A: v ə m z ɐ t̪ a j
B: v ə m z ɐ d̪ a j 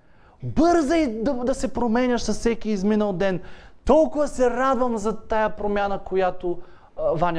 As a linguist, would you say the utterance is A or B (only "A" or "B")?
A